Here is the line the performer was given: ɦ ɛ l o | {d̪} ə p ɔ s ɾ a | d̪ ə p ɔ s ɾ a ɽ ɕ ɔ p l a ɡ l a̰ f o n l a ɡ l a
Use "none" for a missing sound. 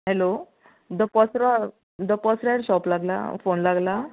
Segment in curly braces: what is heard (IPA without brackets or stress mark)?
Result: d̪